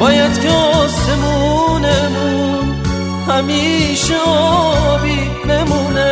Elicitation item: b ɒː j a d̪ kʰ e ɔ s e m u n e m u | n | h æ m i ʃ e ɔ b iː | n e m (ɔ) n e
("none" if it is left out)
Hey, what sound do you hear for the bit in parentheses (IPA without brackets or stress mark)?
u